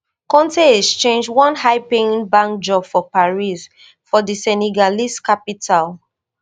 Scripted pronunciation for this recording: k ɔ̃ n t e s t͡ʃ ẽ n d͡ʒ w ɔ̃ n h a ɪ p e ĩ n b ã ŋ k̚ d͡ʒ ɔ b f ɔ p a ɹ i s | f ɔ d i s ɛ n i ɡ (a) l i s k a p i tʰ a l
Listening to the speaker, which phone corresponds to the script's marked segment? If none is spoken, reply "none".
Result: a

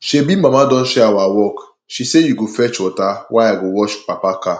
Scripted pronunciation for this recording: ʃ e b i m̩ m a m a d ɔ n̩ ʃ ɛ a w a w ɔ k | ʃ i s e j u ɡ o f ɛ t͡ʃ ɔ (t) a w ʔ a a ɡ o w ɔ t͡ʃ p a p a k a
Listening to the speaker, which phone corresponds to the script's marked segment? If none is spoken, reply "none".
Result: t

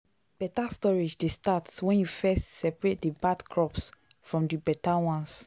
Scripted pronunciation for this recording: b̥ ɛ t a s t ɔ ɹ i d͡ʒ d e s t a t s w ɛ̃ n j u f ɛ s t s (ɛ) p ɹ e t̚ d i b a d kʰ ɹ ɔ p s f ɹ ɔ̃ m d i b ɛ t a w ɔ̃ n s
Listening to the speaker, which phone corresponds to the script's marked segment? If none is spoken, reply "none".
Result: ɛ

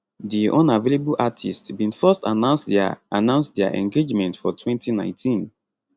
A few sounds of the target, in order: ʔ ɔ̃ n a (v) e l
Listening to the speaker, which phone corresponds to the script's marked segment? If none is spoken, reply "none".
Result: v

